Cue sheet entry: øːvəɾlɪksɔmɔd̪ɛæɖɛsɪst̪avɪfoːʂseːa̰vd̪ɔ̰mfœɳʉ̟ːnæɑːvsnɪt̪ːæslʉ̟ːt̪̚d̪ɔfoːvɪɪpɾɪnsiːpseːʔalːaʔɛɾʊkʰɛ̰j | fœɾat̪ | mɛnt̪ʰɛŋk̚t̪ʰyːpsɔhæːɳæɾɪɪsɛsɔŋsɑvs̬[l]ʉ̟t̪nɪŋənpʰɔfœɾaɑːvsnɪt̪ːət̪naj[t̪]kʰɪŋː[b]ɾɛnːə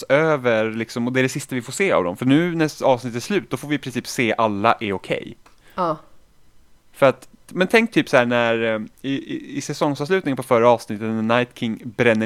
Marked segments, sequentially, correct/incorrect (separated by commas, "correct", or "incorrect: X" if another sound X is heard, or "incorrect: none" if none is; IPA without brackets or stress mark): correct, correct, correct